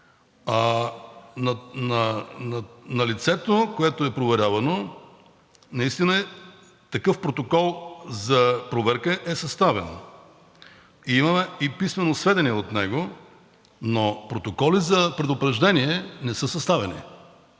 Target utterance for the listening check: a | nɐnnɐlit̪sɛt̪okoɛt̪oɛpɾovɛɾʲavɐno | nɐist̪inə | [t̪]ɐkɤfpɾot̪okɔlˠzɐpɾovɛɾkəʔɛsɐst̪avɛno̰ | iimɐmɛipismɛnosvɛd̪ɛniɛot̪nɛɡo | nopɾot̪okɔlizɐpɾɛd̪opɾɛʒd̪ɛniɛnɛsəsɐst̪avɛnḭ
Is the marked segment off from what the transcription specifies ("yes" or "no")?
no